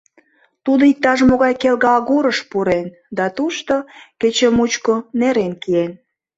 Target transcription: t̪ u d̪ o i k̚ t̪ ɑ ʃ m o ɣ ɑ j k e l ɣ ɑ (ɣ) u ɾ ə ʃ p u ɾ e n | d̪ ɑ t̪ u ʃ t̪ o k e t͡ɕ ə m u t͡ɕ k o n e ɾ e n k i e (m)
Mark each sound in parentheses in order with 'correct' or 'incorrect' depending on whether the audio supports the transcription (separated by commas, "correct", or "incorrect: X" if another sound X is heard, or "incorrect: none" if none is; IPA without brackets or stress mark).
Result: correct, incorrect: n